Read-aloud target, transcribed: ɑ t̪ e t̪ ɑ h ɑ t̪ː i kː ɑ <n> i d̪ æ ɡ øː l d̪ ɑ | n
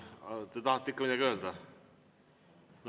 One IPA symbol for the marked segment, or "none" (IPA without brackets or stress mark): m